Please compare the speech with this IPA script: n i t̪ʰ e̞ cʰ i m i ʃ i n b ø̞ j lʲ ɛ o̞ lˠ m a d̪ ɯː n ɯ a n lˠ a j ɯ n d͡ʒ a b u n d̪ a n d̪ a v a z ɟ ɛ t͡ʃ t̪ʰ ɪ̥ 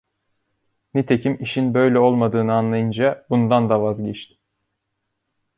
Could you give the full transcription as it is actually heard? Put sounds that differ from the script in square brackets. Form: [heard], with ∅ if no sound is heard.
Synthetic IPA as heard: n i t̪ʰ e̞ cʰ i m i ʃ i n b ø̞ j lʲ ɛ o̞ lˠ m a d̪ ɯː n ɯ a n lˠ a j ɯ n d͡ʒ a b u n d̪ a n d̪ a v a z ɟ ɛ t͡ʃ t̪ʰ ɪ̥